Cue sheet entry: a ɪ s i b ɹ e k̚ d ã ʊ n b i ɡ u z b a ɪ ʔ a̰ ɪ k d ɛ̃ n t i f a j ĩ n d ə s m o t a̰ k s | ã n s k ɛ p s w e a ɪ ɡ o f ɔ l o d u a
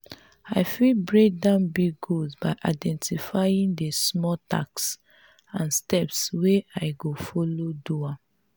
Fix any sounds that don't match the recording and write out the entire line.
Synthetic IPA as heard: a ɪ f i b ɹ e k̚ d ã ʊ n b i ɡ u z b a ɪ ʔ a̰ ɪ d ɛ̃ n t i f a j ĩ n d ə s m ɔ t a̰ k s | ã n s t ɛ p s w e a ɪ ɡ o f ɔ l o d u a